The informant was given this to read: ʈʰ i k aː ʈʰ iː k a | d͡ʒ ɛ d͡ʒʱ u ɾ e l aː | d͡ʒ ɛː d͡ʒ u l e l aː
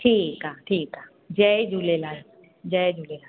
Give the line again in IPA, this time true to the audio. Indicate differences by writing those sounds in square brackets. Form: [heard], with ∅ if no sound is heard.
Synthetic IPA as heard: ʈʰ [iː] k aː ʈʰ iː k a | d͡ʒ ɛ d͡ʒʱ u [l] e l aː | d͡ʒ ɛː d͡ʒ u l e l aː